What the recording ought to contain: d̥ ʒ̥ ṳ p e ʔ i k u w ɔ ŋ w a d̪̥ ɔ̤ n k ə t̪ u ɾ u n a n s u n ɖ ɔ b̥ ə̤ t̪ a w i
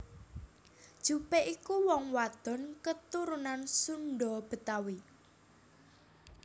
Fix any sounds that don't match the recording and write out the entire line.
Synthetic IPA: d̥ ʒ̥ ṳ p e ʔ i k u w ɔ ŋ w a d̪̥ ɔ̤ n k ə t̪ u ɾ u n a n s u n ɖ ɔ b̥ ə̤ t̪ a w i